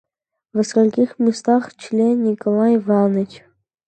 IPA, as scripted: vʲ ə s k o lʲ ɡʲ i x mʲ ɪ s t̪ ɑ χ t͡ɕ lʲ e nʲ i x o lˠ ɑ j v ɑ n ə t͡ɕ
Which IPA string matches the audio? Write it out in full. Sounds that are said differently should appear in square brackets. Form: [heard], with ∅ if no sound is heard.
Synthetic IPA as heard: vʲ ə s k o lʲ [kʲ] i x mʲ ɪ s t̪ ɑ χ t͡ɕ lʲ e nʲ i [k] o lˠ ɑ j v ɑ n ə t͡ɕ